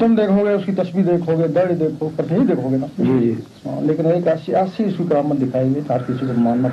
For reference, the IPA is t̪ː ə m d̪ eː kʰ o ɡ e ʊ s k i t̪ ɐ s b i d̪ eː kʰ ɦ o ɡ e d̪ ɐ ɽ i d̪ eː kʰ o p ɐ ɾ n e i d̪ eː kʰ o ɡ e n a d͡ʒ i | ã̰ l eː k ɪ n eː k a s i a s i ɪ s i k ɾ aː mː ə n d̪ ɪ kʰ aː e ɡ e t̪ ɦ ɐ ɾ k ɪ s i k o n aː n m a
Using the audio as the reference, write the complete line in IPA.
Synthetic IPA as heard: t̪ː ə m d̪ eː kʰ o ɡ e ʊ s k i t̪ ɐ s b i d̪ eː kʰ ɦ o ɡ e d̪ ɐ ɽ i d̪ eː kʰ o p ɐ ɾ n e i d̪ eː kʰ o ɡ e n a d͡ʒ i | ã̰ l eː k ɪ n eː k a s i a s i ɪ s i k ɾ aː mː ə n d̪ ɪ kʰ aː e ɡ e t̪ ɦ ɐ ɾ k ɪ s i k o m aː n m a